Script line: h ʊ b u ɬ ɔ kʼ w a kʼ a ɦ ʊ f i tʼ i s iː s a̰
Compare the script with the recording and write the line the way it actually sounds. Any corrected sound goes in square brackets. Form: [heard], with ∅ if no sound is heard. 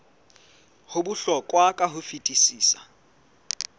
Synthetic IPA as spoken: h ʊ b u ɬ ɔ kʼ w a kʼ a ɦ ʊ f i tʼ i s iː s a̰